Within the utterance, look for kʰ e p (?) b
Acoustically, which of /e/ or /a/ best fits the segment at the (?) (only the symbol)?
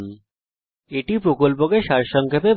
e